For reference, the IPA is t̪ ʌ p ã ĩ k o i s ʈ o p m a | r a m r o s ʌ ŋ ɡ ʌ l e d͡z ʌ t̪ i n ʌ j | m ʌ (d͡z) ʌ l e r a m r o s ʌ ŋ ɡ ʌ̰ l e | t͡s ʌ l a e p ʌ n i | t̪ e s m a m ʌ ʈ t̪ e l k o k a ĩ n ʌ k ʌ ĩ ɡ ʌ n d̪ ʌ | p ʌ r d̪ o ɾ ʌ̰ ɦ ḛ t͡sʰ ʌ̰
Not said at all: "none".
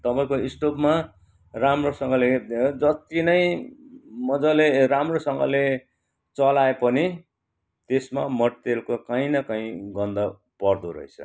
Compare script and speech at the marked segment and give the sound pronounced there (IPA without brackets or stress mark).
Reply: d͡z